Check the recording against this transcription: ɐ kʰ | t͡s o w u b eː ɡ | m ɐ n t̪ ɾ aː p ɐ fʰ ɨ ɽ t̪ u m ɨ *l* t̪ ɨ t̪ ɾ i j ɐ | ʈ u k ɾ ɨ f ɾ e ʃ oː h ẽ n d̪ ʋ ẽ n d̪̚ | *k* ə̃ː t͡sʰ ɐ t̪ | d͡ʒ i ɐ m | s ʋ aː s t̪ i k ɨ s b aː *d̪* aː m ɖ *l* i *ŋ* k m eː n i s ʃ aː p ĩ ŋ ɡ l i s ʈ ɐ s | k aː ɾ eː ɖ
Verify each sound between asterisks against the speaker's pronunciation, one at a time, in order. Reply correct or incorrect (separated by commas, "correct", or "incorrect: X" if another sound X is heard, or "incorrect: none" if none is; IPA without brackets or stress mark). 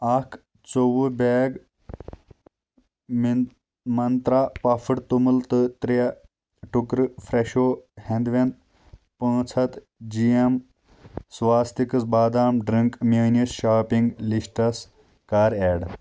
correct, incorrect: p, correct, incorrect: ɾ, correct